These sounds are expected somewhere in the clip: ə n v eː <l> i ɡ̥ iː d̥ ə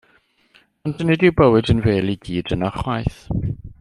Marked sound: correct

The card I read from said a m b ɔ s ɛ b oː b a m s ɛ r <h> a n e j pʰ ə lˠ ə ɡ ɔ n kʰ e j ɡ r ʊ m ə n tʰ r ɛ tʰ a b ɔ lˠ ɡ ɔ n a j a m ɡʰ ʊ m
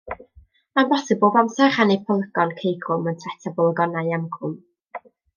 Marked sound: incorrect: χ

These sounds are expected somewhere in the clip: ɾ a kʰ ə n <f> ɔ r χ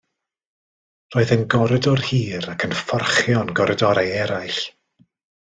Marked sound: correct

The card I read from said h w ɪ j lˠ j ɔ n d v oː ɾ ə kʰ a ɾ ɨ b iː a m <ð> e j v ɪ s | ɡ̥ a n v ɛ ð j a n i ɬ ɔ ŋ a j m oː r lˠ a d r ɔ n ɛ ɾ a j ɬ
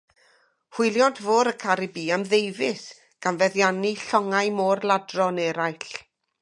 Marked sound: correct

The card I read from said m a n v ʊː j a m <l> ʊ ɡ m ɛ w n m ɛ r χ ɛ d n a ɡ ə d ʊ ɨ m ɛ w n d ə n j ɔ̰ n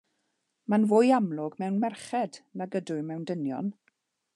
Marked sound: correct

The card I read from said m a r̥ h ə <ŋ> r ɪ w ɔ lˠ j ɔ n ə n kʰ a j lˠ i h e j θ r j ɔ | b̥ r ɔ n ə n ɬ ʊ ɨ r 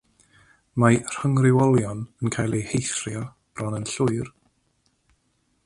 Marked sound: correct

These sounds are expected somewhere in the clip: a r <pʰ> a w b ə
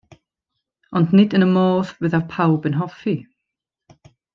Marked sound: correct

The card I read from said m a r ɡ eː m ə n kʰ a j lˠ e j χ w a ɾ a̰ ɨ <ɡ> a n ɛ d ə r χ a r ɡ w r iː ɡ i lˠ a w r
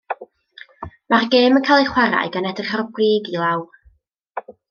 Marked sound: correct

